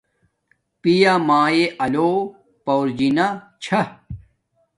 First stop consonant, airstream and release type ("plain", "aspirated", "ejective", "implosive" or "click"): plain